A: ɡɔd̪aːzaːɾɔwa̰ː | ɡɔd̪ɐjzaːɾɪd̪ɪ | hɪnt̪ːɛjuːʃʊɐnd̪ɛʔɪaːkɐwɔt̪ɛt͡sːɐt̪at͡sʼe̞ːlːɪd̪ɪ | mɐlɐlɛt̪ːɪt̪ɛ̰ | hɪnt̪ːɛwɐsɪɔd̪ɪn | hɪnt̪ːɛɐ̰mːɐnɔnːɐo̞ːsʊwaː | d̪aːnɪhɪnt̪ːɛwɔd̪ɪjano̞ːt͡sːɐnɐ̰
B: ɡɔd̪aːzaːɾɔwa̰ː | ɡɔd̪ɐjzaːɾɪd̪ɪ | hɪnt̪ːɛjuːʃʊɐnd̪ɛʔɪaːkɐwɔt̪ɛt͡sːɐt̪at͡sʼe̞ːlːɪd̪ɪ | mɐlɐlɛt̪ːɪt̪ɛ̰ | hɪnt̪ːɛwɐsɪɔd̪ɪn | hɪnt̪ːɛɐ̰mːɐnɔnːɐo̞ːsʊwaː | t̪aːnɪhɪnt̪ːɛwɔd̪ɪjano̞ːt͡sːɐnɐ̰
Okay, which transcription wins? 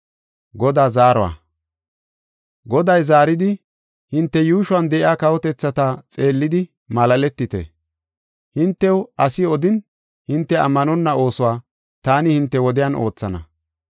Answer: B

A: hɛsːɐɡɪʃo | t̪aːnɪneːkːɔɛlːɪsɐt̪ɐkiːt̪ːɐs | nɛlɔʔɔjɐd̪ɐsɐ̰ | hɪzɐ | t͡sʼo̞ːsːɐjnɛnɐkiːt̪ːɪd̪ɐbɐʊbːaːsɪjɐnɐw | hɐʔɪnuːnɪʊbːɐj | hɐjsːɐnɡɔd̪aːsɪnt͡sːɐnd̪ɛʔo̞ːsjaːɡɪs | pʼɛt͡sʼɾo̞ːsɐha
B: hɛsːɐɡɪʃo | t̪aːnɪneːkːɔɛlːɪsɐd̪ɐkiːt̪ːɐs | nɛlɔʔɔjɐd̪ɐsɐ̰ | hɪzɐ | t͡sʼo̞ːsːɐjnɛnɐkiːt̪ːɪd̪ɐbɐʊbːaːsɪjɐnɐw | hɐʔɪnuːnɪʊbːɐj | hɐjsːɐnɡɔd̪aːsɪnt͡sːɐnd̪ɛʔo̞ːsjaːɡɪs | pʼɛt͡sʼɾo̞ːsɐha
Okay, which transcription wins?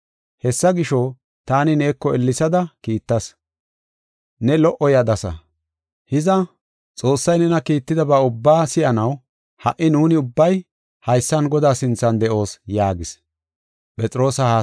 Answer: B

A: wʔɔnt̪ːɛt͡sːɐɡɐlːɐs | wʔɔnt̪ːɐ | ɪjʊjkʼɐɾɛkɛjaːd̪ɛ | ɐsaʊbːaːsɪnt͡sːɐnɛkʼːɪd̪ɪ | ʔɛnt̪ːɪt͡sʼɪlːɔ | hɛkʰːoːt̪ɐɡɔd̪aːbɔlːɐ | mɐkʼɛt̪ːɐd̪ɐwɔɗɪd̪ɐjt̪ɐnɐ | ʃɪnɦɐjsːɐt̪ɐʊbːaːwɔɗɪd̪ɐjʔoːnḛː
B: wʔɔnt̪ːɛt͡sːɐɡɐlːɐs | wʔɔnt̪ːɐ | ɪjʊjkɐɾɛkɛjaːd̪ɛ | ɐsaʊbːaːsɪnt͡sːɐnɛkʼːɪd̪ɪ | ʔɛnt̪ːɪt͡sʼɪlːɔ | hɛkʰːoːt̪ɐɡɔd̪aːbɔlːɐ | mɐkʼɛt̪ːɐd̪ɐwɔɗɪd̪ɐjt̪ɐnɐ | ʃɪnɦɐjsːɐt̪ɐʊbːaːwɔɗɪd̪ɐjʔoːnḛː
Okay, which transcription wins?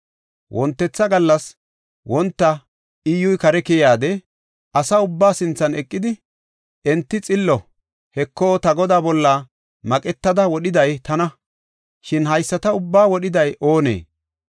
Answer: B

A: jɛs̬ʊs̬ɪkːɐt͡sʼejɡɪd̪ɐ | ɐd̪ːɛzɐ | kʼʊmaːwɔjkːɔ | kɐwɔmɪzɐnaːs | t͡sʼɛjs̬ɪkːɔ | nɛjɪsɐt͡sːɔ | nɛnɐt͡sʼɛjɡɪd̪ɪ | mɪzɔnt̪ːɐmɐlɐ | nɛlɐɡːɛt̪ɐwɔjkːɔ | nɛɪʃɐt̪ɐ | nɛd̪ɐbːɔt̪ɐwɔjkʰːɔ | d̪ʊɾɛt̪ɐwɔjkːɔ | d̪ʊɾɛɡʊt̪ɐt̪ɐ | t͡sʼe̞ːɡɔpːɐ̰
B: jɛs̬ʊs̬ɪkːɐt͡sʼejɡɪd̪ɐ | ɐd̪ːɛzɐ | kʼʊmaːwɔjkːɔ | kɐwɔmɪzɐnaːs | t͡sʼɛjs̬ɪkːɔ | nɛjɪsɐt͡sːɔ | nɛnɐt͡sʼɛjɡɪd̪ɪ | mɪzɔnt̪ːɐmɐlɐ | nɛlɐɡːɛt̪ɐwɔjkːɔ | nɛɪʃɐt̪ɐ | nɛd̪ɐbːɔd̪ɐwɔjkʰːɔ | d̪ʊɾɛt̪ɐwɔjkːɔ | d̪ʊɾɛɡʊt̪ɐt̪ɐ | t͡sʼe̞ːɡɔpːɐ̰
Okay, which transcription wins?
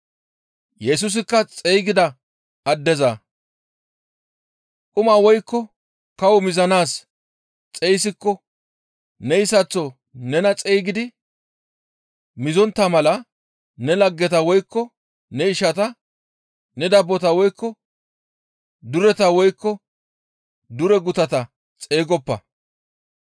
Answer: A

